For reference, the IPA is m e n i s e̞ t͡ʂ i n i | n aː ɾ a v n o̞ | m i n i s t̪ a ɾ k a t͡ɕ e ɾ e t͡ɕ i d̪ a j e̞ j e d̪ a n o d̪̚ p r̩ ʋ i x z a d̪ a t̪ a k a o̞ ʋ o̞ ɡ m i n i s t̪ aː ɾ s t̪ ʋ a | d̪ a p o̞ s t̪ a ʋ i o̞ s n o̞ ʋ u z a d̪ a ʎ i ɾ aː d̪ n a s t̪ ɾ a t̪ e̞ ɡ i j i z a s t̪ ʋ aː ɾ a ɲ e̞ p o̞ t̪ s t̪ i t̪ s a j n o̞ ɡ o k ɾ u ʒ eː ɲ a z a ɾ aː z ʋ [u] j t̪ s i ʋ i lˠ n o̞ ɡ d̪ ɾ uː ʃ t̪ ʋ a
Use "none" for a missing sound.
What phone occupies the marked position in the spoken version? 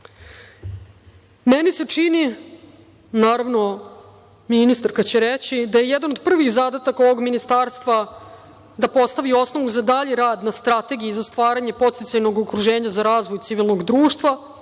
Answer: o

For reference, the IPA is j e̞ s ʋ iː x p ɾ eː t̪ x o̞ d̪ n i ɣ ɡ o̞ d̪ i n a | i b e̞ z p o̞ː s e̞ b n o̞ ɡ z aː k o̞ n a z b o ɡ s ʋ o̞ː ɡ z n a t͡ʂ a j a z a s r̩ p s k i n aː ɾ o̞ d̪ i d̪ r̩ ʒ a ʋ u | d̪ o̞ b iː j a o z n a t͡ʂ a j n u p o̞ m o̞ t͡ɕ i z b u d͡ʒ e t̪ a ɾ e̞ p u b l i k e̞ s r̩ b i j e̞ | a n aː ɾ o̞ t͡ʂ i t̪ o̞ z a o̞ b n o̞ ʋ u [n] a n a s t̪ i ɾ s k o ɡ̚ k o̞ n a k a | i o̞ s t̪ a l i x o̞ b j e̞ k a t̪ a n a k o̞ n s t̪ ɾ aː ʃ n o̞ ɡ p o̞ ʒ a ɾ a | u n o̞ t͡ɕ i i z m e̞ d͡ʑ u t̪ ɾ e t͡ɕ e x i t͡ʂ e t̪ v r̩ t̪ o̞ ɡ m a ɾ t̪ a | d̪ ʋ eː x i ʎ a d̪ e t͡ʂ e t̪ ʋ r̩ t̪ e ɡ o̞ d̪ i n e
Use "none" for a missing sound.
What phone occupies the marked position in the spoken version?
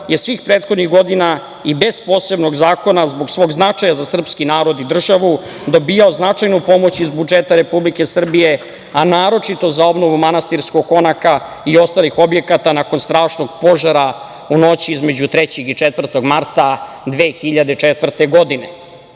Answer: m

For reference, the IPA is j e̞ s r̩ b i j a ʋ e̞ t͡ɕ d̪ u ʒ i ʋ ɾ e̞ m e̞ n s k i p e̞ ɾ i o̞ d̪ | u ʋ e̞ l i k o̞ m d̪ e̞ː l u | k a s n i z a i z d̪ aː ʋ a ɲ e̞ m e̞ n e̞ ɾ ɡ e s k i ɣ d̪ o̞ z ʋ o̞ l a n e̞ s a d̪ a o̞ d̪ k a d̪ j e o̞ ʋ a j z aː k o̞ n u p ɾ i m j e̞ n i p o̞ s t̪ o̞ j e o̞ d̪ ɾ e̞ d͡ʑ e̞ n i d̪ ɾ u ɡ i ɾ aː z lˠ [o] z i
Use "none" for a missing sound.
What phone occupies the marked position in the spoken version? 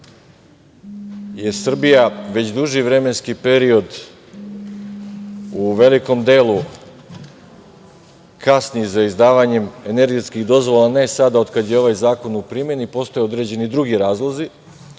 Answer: o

